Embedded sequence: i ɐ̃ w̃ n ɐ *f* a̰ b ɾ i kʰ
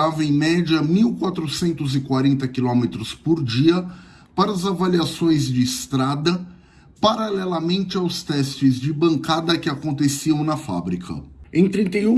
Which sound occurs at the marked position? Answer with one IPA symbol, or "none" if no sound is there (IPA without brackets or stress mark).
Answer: f